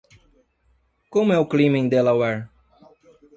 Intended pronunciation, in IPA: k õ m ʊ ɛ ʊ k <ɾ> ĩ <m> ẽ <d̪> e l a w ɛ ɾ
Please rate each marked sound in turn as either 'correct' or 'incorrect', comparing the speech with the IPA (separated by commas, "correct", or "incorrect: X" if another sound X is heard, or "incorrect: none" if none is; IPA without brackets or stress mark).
incorrect: l, correct, correct